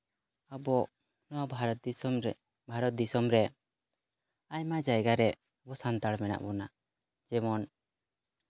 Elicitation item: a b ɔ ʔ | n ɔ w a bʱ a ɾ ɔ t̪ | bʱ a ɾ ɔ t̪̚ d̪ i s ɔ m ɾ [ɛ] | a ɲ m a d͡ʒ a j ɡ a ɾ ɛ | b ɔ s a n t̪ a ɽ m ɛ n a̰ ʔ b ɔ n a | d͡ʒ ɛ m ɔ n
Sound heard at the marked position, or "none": ɛ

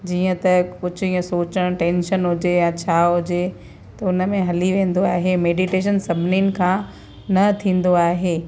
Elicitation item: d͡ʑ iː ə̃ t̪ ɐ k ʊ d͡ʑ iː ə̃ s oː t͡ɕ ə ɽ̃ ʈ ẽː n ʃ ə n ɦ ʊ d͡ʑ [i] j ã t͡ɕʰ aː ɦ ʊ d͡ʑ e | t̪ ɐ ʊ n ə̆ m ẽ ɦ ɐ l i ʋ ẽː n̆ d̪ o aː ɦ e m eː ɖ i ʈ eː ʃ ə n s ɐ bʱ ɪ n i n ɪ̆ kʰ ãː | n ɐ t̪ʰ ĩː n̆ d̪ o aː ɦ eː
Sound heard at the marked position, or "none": e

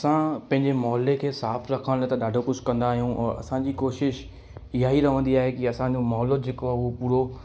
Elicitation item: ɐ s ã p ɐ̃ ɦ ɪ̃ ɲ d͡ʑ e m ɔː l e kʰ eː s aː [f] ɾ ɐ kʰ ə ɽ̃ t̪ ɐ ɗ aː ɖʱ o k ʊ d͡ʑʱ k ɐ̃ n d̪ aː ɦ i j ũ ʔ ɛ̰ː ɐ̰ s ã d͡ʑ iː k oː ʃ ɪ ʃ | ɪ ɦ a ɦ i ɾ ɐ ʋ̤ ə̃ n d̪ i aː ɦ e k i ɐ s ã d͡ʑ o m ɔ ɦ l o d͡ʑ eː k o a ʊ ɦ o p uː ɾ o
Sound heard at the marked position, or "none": f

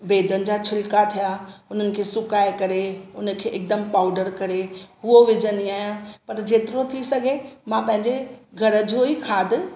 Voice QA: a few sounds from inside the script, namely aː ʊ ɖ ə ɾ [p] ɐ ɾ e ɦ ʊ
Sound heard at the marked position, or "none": k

